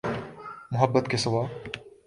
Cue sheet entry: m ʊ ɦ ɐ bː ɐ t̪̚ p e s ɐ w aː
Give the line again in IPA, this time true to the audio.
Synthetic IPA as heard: m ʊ ɦ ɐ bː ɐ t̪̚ k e s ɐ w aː